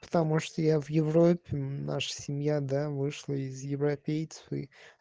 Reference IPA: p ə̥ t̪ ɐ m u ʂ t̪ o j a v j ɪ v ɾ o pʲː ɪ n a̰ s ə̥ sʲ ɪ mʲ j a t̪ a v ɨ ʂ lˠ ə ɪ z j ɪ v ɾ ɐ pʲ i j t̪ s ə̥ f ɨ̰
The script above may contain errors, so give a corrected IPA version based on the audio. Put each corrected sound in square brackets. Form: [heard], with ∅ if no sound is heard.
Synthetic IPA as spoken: p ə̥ t̪ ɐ m u ʂ t̪ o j a v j ɪ v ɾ o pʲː ɪ n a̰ [ʂ] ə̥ sʲ ɪ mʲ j a [d̪] a v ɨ ʂ lˠ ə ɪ z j ɪ v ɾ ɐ pʲ [e] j t̪ s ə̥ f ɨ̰